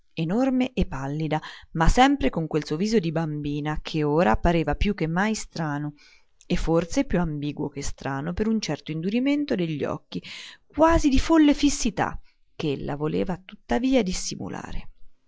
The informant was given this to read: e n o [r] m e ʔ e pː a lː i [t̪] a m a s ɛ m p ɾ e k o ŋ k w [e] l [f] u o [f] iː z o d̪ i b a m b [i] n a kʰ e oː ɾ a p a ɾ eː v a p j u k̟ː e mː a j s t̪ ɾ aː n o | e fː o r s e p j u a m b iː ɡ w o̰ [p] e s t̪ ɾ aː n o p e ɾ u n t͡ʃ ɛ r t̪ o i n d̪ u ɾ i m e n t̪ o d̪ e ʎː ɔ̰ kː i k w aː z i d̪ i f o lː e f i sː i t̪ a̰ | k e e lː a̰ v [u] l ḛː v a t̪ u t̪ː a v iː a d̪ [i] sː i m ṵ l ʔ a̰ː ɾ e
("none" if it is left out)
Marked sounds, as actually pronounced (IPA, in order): r, d̪, e, s, v, iː, k, o, i

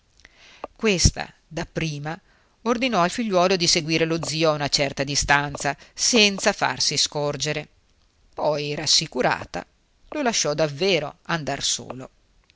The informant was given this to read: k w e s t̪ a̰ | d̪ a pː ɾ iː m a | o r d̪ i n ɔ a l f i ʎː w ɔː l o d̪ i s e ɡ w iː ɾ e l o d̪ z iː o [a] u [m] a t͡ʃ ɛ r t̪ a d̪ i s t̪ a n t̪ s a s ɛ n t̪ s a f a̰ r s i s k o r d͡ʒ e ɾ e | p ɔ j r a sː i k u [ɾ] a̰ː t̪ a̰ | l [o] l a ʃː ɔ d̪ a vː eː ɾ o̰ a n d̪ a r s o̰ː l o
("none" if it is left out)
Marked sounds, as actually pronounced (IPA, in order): a, n, ɾ, o

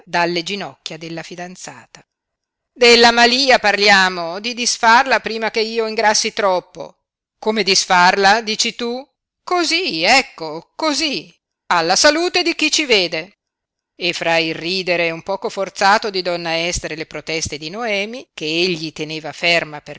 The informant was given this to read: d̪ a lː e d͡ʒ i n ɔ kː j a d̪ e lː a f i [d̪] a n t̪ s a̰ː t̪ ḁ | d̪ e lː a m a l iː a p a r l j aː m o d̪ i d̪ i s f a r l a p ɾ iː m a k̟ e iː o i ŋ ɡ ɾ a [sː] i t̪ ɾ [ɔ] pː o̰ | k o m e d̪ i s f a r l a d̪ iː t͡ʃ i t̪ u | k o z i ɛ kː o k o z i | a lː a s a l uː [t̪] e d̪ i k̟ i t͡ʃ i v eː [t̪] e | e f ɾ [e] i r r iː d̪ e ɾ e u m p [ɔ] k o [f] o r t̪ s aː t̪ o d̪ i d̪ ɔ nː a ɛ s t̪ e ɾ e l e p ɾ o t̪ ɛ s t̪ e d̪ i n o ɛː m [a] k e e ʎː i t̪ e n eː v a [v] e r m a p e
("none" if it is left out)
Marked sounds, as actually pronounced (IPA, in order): d̪, sː, ɔ, t̪, d̪, a, ɔː, f, i, f

